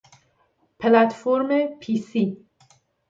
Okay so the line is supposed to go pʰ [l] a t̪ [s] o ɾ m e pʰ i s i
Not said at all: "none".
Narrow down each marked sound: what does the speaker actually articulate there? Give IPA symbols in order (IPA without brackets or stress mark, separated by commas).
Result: l, f